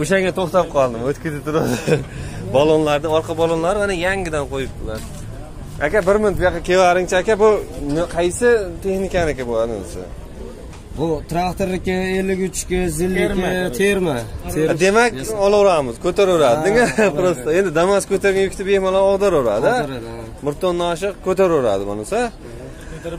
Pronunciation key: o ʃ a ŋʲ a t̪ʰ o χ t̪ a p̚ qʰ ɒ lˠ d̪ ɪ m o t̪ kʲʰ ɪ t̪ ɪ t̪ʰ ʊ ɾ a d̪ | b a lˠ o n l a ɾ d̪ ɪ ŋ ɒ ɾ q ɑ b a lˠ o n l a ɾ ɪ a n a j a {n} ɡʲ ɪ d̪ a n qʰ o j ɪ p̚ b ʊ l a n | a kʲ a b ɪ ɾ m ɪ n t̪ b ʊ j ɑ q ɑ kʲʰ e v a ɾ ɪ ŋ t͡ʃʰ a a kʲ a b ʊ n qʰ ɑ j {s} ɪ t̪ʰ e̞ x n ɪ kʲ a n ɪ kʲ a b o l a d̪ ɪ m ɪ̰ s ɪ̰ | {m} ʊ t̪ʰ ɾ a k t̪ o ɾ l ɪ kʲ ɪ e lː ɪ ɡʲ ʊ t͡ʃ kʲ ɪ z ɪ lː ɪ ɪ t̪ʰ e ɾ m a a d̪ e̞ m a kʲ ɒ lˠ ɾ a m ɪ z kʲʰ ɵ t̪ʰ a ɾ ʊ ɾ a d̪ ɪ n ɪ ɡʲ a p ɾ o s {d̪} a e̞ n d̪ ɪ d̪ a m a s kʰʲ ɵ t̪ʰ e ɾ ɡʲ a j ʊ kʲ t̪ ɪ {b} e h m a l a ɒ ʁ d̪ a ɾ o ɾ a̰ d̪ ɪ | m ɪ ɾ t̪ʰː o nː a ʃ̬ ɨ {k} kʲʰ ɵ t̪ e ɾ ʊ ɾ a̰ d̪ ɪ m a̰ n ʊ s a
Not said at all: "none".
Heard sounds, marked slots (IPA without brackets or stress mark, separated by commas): ŋ, s, b, t̪, b, q